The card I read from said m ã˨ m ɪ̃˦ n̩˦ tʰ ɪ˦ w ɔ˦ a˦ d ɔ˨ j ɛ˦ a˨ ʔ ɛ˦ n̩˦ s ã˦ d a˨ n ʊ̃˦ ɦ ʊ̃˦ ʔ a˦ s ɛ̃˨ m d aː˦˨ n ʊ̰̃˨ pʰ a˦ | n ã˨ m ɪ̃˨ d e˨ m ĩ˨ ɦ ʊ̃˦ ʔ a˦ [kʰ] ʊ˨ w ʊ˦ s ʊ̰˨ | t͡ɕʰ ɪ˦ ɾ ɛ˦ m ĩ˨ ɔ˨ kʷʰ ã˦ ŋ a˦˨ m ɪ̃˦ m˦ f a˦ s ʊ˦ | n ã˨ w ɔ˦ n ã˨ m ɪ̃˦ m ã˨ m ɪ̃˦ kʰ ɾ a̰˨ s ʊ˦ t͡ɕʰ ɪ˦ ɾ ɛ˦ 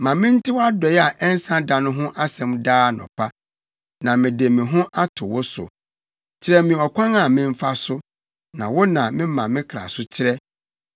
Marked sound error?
yes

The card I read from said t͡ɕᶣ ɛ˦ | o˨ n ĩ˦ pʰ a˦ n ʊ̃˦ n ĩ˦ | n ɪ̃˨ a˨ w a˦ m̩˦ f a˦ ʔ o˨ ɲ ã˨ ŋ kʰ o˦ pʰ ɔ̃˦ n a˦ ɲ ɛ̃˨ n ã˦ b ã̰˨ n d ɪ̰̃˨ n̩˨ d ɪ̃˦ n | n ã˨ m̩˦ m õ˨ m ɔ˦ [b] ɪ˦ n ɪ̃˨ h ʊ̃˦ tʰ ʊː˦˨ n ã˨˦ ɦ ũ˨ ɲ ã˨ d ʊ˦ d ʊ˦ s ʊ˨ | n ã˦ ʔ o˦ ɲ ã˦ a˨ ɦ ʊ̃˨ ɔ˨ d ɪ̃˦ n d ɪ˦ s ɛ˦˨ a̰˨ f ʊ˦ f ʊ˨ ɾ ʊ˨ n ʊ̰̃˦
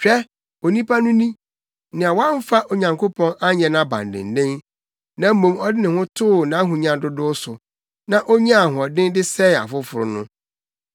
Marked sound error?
yes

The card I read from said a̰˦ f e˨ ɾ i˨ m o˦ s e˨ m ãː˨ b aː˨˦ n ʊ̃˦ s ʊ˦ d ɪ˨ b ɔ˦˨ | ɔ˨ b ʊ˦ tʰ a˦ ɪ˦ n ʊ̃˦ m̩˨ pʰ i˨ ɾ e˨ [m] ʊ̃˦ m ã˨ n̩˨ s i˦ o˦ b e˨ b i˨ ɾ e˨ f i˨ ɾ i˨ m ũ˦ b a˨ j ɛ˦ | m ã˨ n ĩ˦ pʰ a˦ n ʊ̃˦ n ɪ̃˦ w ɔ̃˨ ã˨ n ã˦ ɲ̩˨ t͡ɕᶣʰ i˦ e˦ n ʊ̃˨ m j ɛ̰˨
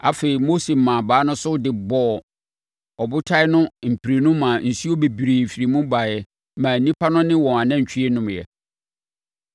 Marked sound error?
yes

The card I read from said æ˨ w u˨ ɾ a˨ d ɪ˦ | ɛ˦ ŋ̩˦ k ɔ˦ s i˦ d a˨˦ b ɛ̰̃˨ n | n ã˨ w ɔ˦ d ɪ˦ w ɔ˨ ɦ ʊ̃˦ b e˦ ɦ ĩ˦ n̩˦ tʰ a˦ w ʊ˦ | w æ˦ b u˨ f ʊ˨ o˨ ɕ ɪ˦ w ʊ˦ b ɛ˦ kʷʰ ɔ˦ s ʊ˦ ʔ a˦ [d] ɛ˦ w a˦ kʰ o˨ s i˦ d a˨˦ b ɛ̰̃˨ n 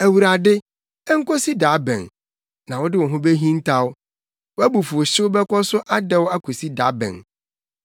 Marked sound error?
no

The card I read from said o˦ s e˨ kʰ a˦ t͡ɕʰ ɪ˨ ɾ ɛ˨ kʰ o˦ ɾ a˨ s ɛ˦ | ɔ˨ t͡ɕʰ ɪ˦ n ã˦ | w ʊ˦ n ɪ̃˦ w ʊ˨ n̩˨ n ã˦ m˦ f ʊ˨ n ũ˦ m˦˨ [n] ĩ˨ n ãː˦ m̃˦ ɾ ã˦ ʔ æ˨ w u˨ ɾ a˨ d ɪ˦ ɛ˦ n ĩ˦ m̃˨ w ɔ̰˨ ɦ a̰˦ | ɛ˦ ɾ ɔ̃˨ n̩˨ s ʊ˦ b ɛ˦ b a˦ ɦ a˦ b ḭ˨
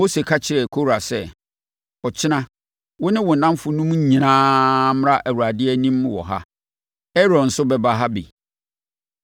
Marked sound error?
yes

